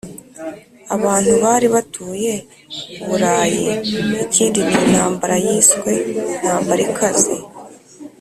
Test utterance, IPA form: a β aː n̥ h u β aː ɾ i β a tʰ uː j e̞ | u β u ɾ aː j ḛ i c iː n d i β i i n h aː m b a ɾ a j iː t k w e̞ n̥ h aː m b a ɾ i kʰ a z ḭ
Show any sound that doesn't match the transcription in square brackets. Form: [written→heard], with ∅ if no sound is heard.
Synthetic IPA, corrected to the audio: a β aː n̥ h u β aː ɾ i β a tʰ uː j e̞ | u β u ɾ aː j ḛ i c iː n d i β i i n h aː m b a ɾ a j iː [t→s] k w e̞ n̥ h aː m b a ɾ i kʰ a z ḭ